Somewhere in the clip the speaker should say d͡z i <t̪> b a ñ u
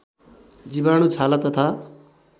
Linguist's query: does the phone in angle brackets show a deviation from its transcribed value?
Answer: yes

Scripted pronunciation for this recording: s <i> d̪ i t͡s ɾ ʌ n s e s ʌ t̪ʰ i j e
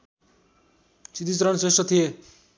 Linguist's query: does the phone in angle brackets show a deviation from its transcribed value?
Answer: no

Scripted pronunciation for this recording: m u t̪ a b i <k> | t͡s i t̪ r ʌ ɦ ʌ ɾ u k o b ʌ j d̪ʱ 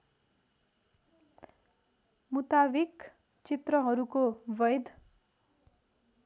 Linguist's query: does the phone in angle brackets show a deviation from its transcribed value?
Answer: no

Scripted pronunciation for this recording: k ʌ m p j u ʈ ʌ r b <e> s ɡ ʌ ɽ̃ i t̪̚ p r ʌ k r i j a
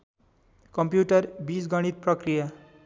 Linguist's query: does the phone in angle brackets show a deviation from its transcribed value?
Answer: yes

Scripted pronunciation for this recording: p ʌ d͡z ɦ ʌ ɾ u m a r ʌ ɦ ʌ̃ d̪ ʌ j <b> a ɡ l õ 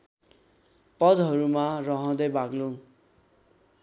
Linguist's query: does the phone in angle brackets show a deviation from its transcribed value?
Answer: no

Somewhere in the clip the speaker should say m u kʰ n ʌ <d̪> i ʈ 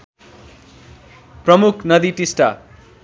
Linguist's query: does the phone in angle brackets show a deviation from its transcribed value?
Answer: no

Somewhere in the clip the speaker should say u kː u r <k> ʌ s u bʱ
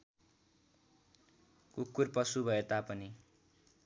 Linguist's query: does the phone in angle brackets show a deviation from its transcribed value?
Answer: yes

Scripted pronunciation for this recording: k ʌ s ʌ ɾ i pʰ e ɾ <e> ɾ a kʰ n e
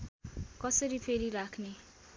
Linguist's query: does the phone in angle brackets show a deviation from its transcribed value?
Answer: yes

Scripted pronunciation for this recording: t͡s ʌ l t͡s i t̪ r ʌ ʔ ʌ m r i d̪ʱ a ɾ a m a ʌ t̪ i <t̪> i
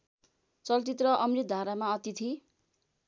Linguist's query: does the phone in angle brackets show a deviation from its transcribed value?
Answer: yes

